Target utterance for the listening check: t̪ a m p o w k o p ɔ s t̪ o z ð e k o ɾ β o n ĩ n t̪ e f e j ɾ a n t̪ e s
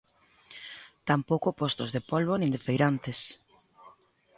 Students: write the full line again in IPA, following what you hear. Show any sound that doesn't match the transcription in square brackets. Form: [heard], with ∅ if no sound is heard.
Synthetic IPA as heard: t̪ a m p o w k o p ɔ s t̪ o z ð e [p] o [l] β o n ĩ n [d̪] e f e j ɾ a n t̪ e s